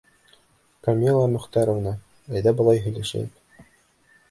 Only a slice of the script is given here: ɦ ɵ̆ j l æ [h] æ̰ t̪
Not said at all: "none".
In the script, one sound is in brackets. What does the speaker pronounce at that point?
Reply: ʃ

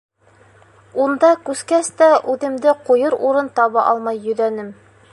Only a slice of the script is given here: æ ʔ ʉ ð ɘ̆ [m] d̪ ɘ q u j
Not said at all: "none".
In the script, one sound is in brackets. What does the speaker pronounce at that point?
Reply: m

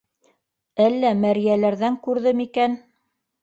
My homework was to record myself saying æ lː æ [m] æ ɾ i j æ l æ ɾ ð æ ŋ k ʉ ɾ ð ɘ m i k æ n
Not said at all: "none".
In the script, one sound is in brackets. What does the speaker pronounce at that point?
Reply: m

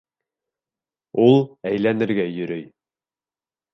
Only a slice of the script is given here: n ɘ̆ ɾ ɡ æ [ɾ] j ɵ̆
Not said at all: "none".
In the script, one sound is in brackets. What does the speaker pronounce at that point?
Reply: none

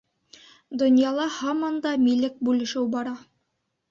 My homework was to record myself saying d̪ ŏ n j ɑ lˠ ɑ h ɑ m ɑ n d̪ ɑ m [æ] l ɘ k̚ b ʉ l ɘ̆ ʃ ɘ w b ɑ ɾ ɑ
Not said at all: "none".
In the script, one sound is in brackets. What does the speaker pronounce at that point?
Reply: i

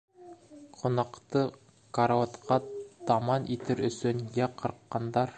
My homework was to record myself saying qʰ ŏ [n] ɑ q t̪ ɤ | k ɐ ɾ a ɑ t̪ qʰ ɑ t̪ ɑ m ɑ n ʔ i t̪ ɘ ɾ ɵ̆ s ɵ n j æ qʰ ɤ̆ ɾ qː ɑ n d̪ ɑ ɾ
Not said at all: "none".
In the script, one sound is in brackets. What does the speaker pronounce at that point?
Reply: n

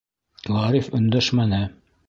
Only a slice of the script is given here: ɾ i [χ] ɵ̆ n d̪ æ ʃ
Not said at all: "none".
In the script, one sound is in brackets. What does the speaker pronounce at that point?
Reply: f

